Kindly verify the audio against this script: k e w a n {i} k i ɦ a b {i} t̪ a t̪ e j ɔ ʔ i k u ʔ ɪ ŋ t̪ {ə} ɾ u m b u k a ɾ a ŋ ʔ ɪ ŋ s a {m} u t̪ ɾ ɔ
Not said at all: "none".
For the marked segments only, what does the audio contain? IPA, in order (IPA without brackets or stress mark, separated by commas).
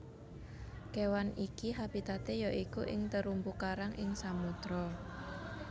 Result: i, i, ə, m